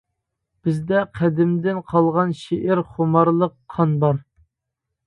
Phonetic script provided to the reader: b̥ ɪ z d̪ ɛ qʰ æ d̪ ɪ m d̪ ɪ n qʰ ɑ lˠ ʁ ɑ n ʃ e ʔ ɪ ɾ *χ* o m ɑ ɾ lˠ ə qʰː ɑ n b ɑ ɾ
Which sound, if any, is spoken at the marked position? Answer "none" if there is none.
χ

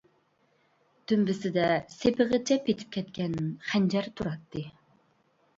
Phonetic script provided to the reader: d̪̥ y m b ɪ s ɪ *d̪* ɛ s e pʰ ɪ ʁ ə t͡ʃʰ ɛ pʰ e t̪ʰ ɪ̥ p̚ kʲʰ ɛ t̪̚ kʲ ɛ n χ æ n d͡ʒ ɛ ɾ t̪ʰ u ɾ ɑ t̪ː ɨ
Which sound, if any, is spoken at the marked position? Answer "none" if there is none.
d̪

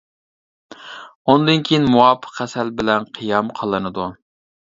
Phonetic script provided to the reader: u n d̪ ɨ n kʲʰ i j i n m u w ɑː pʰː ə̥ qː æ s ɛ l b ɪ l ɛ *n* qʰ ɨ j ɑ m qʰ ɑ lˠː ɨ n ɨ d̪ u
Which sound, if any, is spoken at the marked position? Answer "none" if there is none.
n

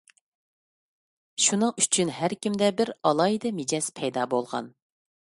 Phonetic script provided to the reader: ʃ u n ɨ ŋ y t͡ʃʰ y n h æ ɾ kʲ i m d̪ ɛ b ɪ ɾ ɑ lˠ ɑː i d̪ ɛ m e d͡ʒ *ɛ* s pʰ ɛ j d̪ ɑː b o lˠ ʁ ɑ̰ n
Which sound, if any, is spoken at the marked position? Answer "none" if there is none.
ɛ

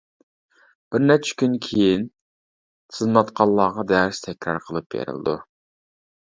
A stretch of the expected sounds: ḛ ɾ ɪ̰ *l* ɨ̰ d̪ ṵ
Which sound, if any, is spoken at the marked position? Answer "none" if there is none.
l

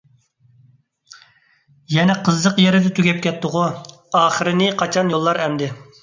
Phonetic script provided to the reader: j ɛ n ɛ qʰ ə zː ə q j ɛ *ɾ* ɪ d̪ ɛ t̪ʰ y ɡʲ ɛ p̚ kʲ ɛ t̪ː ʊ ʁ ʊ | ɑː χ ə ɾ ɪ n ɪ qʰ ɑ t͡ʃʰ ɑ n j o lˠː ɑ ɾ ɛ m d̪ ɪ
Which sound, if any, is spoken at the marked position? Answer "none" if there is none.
ɾ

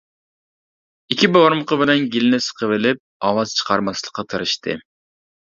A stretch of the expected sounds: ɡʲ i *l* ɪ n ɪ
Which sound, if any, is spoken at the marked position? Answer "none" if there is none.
l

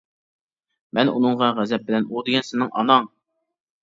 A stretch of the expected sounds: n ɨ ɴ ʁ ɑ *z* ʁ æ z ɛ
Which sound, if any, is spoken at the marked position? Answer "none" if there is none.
none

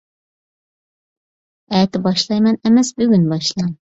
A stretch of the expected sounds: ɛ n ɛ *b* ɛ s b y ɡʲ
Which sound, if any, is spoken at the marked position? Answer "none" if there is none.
m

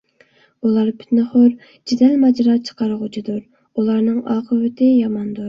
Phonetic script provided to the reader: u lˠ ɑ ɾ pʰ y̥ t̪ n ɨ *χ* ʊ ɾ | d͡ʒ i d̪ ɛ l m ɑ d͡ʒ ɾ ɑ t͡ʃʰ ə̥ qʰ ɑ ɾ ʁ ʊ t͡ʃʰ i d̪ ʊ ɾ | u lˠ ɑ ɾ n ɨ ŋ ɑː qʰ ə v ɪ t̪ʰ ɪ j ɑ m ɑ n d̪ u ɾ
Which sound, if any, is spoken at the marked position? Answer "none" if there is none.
χ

